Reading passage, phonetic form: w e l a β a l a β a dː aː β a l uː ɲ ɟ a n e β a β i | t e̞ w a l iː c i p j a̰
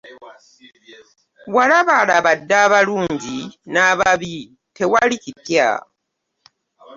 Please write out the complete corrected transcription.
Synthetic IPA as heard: w a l a β a l a β a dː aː β a l uː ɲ ɟ i n a β a β i | t e̞ w a l i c i p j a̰